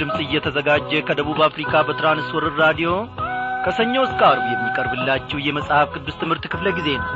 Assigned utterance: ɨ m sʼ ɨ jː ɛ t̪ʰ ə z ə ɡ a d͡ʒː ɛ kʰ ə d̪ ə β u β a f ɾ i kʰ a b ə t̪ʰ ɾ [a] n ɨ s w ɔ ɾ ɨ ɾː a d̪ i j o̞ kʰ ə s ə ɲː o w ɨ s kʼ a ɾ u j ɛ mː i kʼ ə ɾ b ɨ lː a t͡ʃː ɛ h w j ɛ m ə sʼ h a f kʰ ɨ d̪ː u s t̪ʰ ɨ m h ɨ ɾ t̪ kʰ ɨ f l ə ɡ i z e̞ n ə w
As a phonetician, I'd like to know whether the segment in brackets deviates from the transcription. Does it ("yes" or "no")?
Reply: no